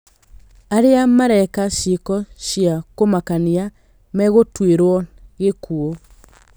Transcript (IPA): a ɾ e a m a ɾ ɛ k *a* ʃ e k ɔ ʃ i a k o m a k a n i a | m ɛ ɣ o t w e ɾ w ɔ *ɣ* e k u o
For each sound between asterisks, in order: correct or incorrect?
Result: correct, correct

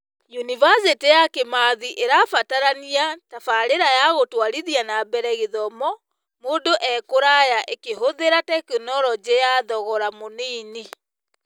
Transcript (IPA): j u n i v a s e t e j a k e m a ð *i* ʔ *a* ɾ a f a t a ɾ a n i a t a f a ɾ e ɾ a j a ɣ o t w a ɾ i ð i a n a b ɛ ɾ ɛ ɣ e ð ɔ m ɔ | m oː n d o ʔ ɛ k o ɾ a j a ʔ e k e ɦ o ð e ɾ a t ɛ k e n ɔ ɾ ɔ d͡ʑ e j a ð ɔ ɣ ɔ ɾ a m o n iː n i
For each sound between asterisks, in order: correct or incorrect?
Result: correct, incorrect

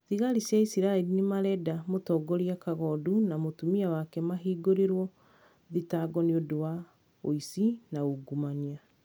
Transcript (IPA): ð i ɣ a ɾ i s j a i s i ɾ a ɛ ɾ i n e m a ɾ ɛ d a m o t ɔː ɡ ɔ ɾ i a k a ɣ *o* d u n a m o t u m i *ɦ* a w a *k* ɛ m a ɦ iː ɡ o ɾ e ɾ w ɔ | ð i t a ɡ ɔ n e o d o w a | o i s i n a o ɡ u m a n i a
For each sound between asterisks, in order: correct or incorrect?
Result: incorrect, incorrect, correct

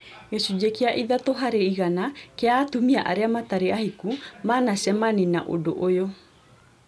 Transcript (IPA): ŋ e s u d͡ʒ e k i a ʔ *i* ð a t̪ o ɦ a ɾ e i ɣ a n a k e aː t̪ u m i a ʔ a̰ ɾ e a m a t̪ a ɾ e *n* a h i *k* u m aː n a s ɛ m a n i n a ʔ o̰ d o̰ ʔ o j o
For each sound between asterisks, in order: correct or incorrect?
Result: correct, incorrect, correct

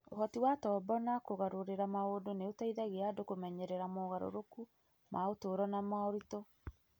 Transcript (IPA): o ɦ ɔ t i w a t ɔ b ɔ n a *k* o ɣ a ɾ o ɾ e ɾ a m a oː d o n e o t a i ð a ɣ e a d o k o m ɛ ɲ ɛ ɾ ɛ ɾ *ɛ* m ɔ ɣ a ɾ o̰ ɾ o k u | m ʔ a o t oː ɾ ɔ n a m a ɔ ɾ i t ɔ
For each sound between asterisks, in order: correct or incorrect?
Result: correct, incorrect

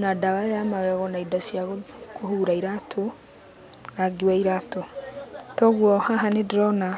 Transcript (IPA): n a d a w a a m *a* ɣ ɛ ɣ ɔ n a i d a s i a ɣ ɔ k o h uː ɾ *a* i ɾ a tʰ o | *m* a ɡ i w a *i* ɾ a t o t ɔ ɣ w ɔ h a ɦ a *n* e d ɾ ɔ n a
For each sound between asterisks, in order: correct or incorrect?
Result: correct, correct, incorrect, correct, correct

